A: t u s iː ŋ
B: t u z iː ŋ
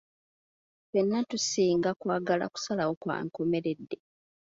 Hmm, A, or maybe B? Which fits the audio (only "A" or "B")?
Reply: A